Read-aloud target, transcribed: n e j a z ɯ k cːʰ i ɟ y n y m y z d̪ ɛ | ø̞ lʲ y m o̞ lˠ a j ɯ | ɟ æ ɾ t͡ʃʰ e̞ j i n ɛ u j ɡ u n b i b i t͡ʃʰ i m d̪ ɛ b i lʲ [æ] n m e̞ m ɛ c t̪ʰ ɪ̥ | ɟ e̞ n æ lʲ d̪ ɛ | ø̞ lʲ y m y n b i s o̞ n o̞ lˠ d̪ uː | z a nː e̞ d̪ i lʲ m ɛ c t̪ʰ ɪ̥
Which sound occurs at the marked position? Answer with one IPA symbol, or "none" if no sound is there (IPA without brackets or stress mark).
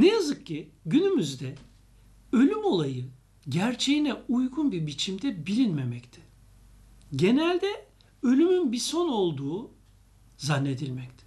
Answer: i